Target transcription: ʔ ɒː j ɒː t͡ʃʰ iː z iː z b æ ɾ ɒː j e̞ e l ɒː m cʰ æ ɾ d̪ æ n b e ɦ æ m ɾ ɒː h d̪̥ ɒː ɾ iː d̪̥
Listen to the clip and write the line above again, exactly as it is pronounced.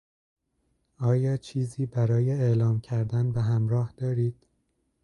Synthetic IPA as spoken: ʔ ɒː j ɒː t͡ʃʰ iː z iː b æ ɾ ɒː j e̞ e l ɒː m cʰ æ ɾ d̪ æ n b e ɦ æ m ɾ ɒː h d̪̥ ɒː ɾ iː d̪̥